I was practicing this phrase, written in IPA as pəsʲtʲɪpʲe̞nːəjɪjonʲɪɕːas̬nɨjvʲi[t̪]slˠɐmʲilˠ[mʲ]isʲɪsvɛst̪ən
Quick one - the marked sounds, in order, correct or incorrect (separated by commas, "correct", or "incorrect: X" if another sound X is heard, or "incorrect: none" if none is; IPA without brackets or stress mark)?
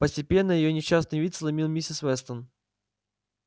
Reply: correct, correct